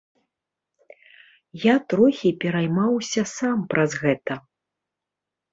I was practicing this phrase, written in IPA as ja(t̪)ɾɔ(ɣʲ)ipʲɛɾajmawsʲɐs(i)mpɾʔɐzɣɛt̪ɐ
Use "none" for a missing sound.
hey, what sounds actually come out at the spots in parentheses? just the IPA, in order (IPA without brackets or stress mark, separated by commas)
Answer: t̪, xʲ, a